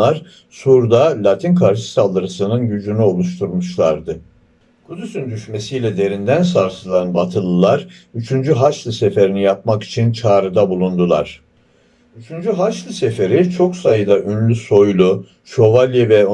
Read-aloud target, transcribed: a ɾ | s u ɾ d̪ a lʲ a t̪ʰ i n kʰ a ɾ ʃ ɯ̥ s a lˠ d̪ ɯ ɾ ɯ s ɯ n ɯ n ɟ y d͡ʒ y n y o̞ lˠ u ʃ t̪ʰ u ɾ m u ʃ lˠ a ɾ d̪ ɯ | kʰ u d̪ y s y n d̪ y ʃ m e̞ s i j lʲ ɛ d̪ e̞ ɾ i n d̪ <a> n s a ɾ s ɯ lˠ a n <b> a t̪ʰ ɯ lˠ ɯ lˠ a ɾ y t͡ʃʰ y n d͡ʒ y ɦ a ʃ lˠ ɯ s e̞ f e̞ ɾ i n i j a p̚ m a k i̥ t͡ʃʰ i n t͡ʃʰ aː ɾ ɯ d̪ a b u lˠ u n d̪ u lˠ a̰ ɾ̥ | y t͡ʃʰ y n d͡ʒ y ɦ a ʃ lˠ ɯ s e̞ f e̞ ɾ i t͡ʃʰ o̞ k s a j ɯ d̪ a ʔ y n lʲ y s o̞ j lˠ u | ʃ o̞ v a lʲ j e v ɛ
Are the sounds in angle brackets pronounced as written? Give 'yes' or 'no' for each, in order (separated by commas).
no, yes